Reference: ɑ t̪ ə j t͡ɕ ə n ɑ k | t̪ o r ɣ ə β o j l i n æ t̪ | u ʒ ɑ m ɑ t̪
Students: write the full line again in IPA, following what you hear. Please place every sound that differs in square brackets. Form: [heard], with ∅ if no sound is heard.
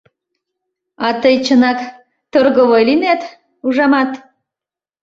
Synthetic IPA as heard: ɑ t̪ ə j t͡ɕ ə n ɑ k | t̪ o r ɣ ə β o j l i n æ t̪ | u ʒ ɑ m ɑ t̪

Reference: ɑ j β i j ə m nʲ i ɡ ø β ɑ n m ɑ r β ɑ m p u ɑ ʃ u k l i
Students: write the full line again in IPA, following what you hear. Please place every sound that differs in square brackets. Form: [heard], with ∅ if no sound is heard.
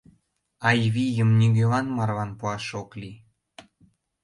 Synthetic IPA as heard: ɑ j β i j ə m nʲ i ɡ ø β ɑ n m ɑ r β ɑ [n] p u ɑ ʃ [o] k l i

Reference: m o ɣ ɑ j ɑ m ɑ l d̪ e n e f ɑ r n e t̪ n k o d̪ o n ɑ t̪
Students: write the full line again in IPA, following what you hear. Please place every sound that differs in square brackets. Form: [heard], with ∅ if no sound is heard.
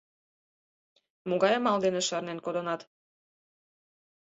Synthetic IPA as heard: m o ɣ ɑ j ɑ m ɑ l d̪ e n e [ʃ] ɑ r n e [∅] n k o d̪ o n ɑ t̪

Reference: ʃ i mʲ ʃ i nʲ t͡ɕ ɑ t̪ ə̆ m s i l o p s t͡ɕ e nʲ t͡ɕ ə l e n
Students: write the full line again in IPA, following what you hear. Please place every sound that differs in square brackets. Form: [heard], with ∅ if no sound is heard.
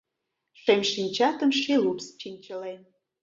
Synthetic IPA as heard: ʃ [e] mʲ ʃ i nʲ t͡ɕ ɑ t̪ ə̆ m [ʃ] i l [u] p s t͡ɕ [i] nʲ t͡ɕ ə l e n

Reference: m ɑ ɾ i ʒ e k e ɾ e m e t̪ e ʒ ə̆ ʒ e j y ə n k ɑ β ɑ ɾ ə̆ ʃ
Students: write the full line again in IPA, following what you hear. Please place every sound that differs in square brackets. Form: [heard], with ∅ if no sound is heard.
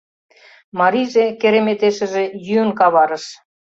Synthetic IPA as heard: m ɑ ɾ i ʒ e k e ɾ e m e t̪ e [ʃ] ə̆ ʒ e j y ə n k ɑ β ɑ ɾ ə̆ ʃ

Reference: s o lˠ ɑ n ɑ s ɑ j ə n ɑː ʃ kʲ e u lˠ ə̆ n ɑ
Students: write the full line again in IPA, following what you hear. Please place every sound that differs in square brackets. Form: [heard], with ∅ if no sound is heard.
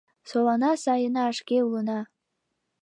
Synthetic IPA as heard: s o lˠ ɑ n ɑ s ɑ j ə n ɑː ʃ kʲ e u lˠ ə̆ n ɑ

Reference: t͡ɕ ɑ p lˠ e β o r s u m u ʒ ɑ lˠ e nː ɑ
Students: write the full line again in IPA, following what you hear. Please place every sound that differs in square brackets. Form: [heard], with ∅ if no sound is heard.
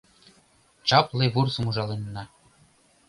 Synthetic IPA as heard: t͡ɕ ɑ p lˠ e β [u] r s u m u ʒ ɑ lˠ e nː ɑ

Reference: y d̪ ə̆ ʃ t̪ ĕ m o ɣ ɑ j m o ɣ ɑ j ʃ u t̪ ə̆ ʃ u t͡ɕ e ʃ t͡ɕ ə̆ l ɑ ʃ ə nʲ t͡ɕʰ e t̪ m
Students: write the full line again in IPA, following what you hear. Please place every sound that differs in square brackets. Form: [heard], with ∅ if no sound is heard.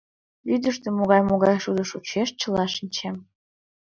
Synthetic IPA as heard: y d̪ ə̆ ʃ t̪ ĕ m o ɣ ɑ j m o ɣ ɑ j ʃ u [d̪] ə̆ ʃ u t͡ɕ e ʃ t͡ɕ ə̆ l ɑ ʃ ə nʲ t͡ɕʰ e [∅] m

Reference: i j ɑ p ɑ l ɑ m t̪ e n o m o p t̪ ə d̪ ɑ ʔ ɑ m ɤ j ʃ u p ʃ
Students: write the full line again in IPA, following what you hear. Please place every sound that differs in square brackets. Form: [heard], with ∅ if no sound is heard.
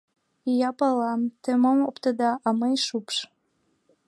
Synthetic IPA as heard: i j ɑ p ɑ l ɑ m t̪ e [m] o m o p t̪ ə d̪ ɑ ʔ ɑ m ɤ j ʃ u p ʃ

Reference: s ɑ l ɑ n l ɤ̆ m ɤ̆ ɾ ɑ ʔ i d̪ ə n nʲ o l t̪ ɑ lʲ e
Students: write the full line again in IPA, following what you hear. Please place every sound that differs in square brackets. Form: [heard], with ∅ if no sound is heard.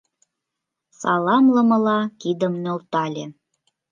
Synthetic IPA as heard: s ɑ l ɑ [m] l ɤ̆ m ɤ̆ [l] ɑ [k] i d̪ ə [m] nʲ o l t̪ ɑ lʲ e

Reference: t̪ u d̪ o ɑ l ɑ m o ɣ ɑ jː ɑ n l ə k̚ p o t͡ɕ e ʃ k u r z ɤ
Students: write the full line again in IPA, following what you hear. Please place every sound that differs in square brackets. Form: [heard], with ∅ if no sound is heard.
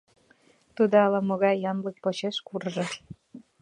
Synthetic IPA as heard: t̪ u d̪ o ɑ l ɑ m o ɣ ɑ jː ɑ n l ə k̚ p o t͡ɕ e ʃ k u r [ʒ] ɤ

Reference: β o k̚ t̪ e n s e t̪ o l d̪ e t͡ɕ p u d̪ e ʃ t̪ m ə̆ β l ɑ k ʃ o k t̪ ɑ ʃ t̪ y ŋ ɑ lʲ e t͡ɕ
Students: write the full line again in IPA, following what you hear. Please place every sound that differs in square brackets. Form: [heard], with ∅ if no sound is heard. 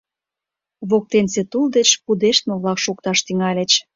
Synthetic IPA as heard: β o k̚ t̪ e n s e t̪ [u] l d̪ e t͡ɕ p u d̪ e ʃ t̪ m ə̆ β l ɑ k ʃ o k t̪ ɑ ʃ t̪ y ŋ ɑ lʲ e t͡ɕ

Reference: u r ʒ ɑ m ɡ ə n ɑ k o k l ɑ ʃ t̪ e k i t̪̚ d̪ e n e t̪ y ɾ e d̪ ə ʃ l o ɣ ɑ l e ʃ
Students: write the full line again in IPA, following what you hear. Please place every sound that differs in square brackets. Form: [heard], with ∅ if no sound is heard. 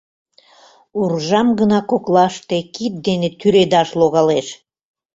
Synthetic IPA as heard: u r ʒ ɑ m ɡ ə n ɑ k o k l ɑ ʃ t̪ e k i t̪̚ d̪ e n e t̪ y ɾ e d̪ [ɑ] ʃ l o ɣ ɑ l e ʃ

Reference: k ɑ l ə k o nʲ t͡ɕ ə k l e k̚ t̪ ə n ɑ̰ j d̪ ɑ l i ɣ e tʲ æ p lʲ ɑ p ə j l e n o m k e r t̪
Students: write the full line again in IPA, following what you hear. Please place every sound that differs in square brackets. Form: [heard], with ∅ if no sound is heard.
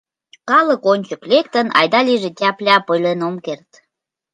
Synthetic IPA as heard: k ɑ l ə k o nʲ t͡ɕ ə k l e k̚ t̪ ə n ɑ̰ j d̪ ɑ l i [ʒ] e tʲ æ p lʲ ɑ p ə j l e n o m k e r t̪

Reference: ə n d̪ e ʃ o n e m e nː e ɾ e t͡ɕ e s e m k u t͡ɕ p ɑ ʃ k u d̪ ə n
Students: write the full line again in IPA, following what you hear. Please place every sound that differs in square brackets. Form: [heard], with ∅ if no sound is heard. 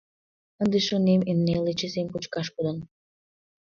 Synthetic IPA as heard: ə n d̪ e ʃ o n e m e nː e [l] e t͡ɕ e s e m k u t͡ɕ [k] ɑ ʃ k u d̪ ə n

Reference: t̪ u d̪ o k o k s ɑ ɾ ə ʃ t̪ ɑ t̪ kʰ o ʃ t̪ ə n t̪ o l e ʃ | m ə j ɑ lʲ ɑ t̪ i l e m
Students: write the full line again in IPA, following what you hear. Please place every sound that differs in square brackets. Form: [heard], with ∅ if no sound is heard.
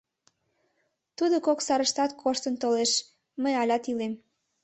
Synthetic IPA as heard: t̪ u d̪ o k o k s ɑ ɾ ə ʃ t̪ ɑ t̪ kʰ o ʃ t̪ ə n t̪ o l e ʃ | m ə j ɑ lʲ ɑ t̪ i l e m

